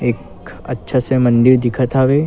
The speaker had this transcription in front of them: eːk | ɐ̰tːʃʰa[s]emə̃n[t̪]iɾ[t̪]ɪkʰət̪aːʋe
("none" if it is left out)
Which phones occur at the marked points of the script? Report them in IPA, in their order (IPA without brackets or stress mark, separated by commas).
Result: s, d̪, d̪